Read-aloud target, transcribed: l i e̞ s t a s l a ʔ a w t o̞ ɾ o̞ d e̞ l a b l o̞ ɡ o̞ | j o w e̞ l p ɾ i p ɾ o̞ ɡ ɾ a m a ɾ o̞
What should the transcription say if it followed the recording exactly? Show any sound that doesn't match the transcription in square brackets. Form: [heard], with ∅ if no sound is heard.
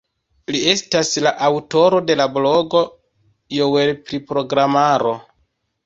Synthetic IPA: l i e̞ s t a s l a ʔ a w t o̞ ɾ o̞ d e̞ l a b l o̞ ɡ o̞ | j o w e̞ l p ɾ i p ɾ o̞ ɡ ɾ a m a ɾ o̞